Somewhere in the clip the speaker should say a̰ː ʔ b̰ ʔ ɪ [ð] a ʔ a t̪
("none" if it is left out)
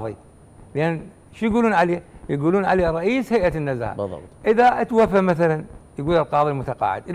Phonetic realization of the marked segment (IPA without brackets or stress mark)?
ð